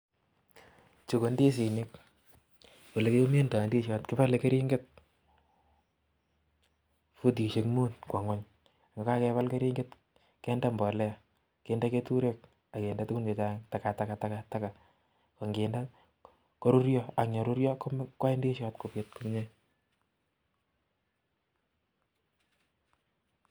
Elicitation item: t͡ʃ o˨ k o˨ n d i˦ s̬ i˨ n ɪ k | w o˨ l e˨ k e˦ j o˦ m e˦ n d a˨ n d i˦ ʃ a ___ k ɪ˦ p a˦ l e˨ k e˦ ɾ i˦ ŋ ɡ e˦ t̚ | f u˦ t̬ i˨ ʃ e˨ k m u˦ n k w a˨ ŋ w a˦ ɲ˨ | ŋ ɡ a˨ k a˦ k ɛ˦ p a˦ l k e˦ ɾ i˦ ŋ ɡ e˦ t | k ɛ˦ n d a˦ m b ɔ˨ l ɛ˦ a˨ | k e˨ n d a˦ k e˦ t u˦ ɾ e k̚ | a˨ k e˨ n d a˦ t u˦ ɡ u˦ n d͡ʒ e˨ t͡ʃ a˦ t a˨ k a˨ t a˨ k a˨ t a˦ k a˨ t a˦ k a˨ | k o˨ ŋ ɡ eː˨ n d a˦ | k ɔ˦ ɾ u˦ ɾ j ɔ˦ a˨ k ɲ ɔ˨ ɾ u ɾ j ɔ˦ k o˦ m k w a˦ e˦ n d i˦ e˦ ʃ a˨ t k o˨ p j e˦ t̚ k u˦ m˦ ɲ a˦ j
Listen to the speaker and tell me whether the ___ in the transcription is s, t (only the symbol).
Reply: t